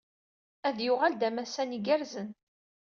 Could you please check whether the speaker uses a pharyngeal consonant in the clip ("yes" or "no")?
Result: no